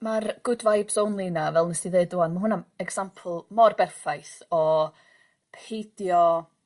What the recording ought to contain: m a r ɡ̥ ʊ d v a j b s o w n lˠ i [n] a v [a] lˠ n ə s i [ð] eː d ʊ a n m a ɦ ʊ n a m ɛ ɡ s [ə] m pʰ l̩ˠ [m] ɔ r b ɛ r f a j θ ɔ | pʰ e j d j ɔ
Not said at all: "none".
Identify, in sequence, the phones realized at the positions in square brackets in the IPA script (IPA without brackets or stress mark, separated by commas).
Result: n, ɛ, ð, a, m